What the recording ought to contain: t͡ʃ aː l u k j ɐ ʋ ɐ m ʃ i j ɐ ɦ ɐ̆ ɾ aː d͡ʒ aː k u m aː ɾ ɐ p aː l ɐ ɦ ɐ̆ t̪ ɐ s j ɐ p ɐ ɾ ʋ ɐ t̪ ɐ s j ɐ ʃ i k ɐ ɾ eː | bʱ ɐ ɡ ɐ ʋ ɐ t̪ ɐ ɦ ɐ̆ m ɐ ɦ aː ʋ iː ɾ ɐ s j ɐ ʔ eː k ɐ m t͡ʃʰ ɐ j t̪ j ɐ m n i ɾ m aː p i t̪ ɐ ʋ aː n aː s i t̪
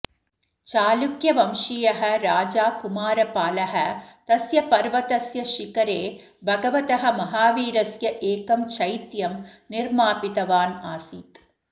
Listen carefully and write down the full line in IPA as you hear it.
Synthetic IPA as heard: t͡ʃ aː l u k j ɐ ʋ ɐ m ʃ i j ɐ ɦ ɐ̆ ɾ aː d͡ʒ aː k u m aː ɾ ɐ p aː l ɐ ɦ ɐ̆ t̪ ɐ s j ɐ p ɐ ɾ ʋ ɐ t̪ ɐ s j ɐ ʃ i k ɐ ɾ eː | bʱ ɐ ɡ ɐ ʋ ɐ t̪ ɐ ɦ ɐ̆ m ɐ ɦ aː ʋ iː ɾ ɐ s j ɐ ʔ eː k ɐ m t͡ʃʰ ɐ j t̪ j ɐ m n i ɾ m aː p i t̪ ɐ ʋ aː n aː s i t̪

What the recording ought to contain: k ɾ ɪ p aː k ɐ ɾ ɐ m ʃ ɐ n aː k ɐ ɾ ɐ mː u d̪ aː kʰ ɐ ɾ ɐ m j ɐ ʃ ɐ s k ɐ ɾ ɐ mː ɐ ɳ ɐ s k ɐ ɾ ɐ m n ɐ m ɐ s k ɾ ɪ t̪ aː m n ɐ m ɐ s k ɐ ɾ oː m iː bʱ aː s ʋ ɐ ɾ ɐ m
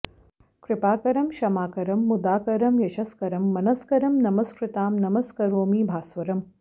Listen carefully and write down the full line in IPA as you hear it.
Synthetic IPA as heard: k ɾ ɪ p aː k ɐ ɾ ɐ m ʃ ɐ m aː k ɐ ɾ ɐ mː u d̪ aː k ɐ ɾ ɐ m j ɐ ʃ ɐ s k ɐ ɾ ɐ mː ɐ n ɐ s k ɐ ɾ ɐ m n ɐ m ɐ s k ɾ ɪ t̪ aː m n ɐ m ɐ s k ɐ ɾ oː m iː bʱ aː s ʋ ɐ ɾ ɐ m

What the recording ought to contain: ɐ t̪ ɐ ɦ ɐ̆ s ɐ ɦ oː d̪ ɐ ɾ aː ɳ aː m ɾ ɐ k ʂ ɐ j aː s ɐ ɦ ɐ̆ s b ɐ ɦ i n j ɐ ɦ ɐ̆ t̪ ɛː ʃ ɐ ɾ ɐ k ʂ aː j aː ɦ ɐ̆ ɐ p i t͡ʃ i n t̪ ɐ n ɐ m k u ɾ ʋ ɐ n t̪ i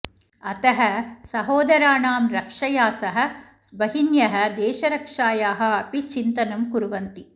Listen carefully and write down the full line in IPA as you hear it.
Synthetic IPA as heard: ɐ t̪ ɐ ɦ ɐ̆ s ɐ ɦ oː d̪ ɐ ɾ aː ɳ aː m ɾ ɐ k ʂ ɐ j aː s ɐ ɦ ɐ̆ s b ɐ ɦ i n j ɐ ɦ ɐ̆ d̪ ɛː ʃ ɐ ɾ ɐ k ʂ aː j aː ɦ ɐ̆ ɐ p i t͡ʃ i n t̪ ɐ n ɐ m k u ɾ ʋ ɐ n t̪ i

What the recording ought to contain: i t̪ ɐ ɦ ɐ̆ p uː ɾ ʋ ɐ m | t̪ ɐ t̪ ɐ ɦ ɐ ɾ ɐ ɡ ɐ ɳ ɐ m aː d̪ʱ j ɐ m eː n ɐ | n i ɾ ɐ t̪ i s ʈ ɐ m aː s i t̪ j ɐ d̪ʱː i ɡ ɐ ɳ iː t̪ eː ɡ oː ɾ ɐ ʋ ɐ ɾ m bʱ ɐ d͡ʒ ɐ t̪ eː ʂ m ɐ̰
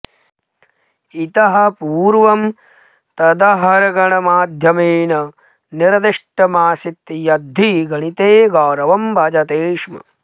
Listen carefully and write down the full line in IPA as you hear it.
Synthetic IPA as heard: i t̪ ɐ ɦ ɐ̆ p uː ɾ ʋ ɐ m | t̪ ɐ d̪ ɐ ɦ ɐ ɾ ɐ ɡ ɐ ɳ ɐ m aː d̪ʱ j ɐ m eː n ɐ | n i ɾ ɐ d̪ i ʂ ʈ ɐ m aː s i t̪ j ɐ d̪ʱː i ɡ ɐ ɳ i t̪ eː ɡ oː ɾ ɐ ʋ ɐ m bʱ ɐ d͡ʒ ɐ t̪ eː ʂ m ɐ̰

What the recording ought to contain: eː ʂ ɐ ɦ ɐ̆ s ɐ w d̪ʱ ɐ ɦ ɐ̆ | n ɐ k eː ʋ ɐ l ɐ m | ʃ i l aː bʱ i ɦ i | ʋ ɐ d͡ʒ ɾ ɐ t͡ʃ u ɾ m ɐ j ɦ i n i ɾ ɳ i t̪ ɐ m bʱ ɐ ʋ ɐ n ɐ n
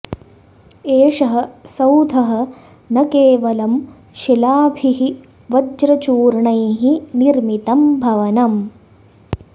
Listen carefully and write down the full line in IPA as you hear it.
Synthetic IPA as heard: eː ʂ ɐ ɦ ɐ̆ s ɐ w d̪ʱ ɐ ɦ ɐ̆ | n ɐ k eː ʋ ɐ l ɐ m | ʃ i l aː bʱ i ɦ i | ʋ ɐ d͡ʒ ɾ ɐ t͡ʃ uː ɾ ɳ ɐ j ɦ i n i ɾ m i t̪ ɐ m bʱ ɐ ʋ ɐ n ɐ m

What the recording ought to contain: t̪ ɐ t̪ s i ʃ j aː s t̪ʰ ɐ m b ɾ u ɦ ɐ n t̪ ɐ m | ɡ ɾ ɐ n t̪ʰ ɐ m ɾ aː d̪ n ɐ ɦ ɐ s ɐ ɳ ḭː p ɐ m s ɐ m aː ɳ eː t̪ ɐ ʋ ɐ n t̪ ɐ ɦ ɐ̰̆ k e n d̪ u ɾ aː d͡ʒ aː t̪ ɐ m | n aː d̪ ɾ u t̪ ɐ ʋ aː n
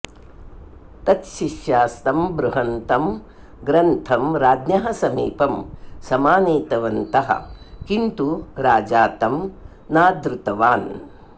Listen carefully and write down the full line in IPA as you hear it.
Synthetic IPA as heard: t̪ ɐ t̪ ʃ i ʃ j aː s t̪ ɐ m b ɾ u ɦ ɐ n t̪ ɐ m | ɡ ɾ ɐ n t̪ʰ ɐ m ɾ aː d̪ n ɐ ɦ ɐ s ɐ m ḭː p ɐ m s ɐ m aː n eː t̪ ɐ ʋ ɐ n t̪ ɐ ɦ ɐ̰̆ k i n t̪ u ɾ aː d͡ʒ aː t̪ ɐ m | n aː d̪ ɾ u t̪ ɐ ʋ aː n

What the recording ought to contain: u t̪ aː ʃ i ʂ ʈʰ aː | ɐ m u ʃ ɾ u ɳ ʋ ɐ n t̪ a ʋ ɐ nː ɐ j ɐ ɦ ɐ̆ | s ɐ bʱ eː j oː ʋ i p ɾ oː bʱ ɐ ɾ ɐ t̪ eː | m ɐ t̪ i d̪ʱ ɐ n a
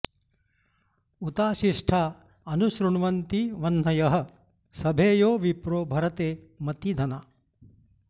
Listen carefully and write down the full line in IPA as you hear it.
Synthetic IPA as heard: u t̪ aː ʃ i ʂ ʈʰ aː | ɐ n u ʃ ɾ u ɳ ʋ ɐ n t̪ i ʋ ɐ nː ɐ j ɐ ɦ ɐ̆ | s ɐ bʱ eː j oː ʋ i p ɾ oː bʱ ɐ ɾ ɐ t̪ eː | m ɐ t̪ i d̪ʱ ɐ n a

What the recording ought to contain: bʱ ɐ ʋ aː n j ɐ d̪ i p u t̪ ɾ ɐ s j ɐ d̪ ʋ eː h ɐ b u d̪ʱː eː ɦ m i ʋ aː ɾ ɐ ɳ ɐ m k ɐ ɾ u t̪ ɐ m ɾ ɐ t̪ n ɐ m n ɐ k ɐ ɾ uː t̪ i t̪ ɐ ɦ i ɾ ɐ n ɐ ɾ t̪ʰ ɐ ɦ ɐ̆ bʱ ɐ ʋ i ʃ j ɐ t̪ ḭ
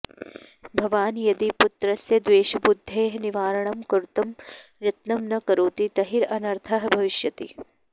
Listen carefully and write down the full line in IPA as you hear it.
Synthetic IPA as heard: bʱ ɐ ʋ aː n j ɐ d̪ i p u t̪ ɾ ɐ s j ɐ d̪ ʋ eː ʃ ɐ b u d̪ʱː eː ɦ n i ʋ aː ɾ ɐ ɳ ɐ m k ɐ ɾ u t̪ ɐ m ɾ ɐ t̪ n ɐ m n ɐ k ɐ ɾ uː t̪ i t̪ ɐ ɦ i ɾ ɐ n ɐ ɾ t̪ʰ ɐ ɦ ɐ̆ bʱ ɐ ʋ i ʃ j ɐ t̪ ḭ

